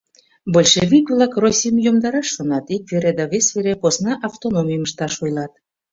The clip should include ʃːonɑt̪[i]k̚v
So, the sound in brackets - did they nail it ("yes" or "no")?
yes